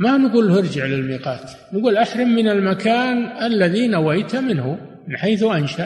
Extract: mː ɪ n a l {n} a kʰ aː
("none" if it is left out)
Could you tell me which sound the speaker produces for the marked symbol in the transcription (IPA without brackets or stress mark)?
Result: m